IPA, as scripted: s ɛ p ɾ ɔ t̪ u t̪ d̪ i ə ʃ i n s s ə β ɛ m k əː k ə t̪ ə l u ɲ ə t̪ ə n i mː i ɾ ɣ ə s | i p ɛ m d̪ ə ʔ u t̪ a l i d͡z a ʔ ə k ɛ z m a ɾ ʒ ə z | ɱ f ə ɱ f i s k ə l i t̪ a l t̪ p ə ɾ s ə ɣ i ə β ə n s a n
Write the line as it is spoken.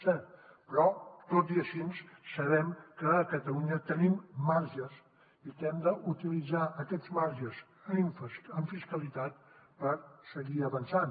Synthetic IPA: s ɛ p ɾ ɔ t̪ o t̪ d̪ i ə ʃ i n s s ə β ɛ m k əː k ə t̪ ə l u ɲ ə t̪ ə n i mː a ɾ ʒ ə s | i k ɛ m d̪ ə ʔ u t̪ i l i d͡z a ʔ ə k ɛ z m a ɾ ʒ ə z | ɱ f ə ɱ f i s k ə l i t̪ a t̪ p ə ɾ s ə ɣ i ə β ə n s a n